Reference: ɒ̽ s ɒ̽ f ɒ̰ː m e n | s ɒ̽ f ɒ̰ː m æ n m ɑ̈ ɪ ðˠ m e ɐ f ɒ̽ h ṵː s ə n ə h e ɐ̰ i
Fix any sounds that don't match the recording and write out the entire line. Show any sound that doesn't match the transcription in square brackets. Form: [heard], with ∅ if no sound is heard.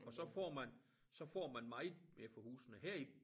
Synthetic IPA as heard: ɒ̽ s ɒ̽ f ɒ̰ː m [æ] n | s ɒ̽ f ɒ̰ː m æ n m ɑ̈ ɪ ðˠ m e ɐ f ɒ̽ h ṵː s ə n ə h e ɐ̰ i